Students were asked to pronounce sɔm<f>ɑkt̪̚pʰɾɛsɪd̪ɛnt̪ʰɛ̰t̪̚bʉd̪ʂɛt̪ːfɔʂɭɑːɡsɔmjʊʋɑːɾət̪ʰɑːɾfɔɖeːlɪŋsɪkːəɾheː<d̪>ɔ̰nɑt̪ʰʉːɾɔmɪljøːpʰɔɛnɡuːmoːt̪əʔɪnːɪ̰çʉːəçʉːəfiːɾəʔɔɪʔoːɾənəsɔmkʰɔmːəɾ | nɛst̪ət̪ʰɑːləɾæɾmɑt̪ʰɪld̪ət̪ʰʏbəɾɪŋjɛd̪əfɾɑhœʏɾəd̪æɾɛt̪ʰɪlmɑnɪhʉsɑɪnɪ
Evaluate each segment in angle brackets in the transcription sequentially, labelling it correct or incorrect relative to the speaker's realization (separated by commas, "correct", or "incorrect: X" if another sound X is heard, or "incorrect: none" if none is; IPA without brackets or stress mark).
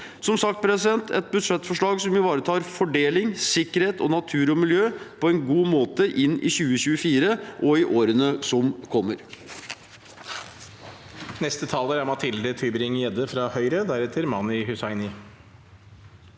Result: incorrect: s, incorrect: t̪